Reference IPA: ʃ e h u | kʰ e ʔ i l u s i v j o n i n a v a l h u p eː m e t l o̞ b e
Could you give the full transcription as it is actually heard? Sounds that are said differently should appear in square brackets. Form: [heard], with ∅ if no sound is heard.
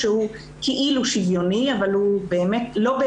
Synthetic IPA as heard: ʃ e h u | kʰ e ʔ i l u [ʃ] i v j o n i [∅] a v a l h u [b] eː m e t l o̞ b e